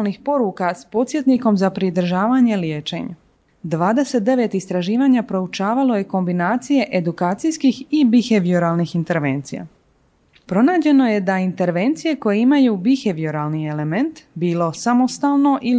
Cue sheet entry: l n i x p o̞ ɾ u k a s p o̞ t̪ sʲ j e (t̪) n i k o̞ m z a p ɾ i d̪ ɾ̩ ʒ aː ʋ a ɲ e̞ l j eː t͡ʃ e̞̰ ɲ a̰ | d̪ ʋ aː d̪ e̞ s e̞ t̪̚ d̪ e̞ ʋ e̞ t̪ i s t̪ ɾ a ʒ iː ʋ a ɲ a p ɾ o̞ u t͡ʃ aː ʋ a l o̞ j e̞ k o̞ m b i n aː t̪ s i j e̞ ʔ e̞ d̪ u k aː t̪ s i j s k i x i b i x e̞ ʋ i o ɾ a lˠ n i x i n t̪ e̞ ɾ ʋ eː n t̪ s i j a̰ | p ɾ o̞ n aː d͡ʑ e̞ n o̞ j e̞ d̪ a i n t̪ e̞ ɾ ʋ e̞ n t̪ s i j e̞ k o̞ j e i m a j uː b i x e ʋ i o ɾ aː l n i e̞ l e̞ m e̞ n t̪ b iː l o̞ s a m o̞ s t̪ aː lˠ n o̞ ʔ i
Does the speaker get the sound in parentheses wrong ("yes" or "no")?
no